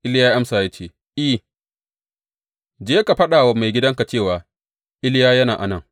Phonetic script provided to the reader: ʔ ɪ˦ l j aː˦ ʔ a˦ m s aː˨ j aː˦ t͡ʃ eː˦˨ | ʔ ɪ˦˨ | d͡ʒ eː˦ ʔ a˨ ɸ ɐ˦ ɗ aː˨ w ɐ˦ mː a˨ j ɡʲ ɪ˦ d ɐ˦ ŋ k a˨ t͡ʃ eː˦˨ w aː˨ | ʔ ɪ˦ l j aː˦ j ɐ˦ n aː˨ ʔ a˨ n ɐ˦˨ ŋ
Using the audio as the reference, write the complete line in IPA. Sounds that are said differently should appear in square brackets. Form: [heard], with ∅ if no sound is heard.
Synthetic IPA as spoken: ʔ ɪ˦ l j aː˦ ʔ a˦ m s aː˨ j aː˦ t͡ʃ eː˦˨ | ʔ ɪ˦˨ | d͡ʒ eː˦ [k] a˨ ɸ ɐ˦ ɗ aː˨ w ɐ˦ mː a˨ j ɡʲ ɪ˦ d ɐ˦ ŋ k a˨ t͡ʃ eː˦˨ w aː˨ | ʔ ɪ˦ l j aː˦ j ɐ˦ n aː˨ ʔ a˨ n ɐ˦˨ ŋ